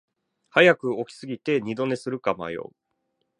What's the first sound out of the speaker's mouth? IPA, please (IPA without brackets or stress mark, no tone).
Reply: h